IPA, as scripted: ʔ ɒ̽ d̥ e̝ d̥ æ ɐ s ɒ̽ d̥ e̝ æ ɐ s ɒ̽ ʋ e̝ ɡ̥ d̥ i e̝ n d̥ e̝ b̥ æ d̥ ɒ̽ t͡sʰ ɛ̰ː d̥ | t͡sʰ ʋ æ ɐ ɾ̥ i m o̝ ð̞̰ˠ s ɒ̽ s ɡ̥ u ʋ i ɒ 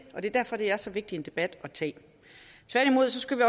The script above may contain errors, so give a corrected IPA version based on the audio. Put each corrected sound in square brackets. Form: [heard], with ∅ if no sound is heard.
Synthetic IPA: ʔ ɒ̽ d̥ e̝ d̥ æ ɐ [f] ɒ̽ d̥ e̝ æ ɐ s ɒ̽ ʋ e̝ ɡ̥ d̥ i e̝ n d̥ e̝ b̥ æ d̥ ɒ̽ t͡sʰ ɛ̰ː [∅] | t͡sʰ ʋ æ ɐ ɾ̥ i m o̝ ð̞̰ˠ s ɒ̽ s ɡ̥ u ʋ i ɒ